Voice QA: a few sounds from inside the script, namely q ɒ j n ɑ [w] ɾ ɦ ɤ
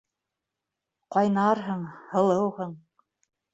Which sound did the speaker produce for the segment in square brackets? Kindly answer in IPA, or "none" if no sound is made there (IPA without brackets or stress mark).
none